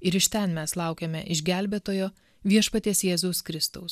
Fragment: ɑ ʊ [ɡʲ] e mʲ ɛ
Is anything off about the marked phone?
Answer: yes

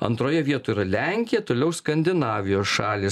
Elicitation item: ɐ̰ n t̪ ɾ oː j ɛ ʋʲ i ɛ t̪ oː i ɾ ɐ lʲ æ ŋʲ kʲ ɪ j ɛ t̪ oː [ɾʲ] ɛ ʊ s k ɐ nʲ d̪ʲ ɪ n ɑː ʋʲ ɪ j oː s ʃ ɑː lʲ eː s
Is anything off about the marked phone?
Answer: yes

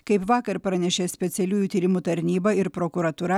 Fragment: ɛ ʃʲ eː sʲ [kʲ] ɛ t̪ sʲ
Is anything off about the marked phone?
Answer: yes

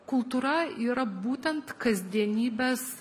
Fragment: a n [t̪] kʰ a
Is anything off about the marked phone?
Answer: no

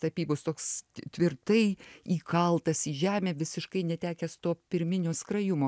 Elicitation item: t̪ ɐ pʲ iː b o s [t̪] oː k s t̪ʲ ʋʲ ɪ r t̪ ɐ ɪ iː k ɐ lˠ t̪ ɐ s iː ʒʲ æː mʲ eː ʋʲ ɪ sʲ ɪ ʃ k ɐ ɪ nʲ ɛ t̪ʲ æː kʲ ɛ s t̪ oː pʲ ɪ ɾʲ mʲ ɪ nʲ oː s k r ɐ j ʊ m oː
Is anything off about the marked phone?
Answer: no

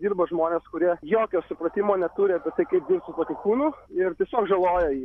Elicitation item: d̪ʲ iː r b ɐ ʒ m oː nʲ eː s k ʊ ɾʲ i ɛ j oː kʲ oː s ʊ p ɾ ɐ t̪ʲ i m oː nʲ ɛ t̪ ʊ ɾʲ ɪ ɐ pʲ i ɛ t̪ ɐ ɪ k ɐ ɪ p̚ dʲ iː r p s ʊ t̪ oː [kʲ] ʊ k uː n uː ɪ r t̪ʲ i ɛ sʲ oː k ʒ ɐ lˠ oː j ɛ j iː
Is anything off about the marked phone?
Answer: no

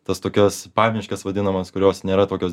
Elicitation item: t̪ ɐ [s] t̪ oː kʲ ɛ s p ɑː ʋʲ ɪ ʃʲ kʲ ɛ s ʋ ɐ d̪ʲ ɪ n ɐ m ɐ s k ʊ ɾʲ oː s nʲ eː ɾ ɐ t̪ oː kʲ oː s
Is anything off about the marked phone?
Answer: no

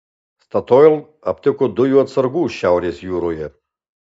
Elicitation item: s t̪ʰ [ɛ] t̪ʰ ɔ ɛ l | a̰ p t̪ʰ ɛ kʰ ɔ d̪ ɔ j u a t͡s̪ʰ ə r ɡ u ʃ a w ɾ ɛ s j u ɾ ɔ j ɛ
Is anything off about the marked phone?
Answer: yes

